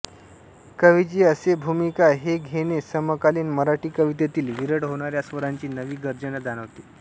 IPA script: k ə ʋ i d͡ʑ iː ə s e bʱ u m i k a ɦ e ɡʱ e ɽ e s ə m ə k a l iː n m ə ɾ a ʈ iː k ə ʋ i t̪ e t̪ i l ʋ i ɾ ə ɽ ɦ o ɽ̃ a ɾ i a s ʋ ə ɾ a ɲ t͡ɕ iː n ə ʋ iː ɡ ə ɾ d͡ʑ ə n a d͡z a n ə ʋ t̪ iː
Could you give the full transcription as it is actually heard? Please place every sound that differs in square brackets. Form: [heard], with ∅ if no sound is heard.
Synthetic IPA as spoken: k ə ʋ i d͡ʑ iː ə s e bʱ u m i k a ɦ e ɡʱ e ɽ e s ə m ə k a l iː n m ə ɾ a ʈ iː k ə ʋ i t̪ e t̪ [iː] l ʋ i ɾ ə ɽ ɦ o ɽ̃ a ɾ [j] a s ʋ ə ɾ a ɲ t͡ɕ iː n ə ʋ iː ɡ ə ɾ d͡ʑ ə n a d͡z a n ə ʋ t̪ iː